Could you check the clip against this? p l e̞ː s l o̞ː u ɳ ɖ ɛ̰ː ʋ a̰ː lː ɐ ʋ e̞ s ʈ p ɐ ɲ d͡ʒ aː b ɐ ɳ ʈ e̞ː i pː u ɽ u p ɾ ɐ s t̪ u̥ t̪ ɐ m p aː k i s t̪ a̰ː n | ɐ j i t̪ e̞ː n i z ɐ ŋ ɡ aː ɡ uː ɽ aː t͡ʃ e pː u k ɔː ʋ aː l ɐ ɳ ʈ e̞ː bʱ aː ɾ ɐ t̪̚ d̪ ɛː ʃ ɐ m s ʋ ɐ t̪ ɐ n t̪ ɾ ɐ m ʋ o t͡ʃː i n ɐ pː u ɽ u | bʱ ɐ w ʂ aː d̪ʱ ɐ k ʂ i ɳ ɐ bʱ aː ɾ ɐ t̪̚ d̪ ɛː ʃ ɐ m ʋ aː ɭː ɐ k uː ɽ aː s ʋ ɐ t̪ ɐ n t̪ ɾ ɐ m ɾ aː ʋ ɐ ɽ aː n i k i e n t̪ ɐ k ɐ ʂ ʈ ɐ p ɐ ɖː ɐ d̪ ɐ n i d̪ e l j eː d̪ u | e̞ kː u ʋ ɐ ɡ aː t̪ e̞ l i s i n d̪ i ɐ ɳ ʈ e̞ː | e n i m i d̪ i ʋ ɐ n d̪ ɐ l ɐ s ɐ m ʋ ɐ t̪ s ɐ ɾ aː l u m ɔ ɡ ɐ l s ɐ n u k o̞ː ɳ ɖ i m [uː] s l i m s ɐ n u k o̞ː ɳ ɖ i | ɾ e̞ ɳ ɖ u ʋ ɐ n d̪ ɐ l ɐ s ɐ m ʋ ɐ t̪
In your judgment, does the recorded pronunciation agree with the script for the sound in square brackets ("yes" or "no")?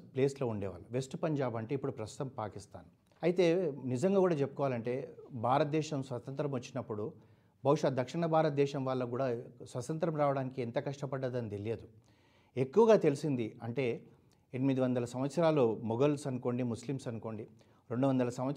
no